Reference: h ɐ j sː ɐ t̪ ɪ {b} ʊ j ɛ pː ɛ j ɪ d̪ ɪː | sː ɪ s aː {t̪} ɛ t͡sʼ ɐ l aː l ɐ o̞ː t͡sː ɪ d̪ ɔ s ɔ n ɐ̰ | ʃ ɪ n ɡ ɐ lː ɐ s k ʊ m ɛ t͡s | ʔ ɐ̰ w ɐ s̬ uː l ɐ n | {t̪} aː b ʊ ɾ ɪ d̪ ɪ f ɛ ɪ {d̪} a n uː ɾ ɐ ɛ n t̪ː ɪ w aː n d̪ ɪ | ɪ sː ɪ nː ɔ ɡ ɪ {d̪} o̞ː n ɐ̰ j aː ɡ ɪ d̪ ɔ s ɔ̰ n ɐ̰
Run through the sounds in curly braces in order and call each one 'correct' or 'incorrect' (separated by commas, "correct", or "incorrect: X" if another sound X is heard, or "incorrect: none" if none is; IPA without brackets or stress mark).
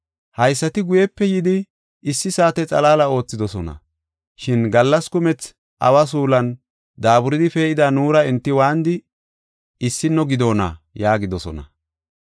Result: incorrect: ɡ, correct, incorrect: d̪, correct, correct